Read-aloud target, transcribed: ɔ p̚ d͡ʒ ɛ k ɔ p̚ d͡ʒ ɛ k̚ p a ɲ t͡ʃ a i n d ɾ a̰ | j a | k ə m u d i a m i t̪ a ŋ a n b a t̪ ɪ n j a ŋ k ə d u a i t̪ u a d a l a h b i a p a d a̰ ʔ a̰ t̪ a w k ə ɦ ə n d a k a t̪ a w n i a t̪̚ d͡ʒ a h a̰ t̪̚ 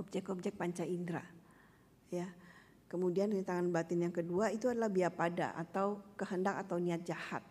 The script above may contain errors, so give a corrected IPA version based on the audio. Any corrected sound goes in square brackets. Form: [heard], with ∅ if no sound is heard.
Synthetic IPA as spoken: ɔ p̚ d͡ʒ ɛ k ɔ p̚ d͡ʒ ɛ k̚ p a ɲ t͡ʃ a i n d ɾ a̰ | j a | k ə m u d i a [n] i t̪ a ŋ a n b a t̪ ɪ n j a ŋ k ə d u a i t̪ u a d a l a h b i a p a d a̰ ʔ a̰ t̪ a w k ə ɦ ə n d a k a t̪ a w n i a t̪̚ d͡ʒ a h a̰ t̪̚